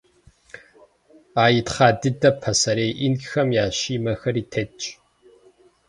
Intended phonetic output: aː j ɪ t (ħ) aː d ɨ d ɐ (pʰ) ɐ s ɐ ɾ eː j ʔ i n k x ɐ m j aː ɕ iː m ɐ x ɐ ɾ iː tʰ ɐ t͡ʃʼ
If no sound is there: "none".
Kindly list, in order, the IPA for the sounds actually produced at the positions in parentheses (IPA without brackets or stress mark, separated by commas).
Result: χ, pʰ